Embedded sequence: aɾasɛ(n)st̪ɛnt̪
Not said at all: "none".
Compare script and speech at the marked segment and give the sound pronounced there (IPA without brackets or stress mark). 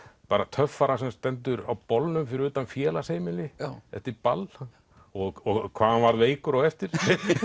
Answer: m